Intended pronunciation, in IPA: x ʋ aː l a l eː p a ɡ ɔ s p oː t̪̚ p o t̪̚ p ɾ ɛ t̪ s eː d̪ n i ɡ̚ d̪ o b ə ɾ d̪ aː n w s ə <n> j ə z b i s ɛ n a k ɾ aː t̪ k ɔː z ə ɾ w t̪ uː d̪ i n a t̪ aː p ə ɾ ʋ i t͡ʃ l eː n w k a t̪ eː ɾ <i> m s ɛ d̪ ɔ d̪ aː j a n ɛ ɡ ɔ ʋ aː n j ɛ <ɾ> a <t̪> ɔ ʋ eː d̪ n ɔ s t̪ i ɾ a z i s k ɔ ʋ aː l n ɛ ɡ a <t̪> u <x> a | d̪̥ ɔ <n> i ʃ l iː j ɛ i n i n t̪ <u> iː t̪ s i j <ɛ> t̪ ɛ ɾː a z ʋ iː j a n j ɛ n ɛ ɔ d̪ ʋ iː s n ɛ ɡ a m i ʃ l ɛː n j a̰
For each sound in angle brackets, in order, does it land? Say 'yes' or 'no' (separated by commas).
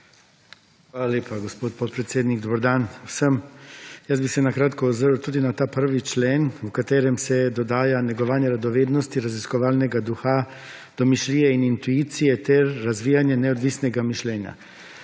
no, no, yes, no, no, yes, no, yes, yes